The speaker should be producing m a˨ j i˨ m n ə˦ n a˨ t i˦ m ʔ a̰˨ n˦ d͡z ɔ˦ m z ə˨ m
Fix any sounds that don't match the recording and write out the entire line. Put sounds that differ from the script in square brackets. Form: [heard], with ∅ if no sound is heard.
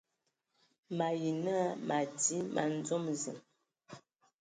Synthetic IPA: m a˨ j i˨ [∅] n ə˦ [m] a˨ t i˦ m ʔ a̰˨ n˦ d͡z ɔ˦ m z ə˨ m